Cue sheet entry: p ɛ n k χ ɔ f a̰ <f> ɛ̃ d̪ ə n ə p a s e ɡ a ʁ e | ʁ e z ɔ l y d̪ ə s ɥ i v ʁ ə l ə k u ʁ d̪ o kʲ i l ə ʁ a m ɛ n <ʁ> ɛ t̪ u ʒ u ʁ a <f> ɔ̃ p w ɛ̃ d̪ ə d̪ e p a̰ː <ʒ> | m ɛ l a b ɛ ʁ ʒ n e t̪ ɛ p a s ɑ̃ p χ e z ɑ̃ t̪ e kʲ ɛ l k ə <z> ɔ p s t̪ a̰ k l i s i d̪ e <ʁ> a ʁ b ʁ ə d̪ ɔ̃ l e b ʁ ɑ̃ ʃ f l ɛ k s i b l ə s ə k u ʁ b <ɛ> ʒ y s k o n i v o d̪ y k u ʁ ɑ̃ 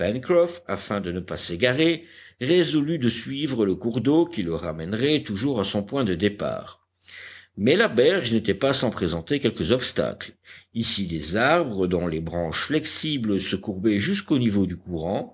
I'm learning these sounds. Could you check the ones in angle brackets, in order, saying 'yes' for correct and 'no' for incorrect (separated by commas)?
yes, yes, no, no, yes, no, yes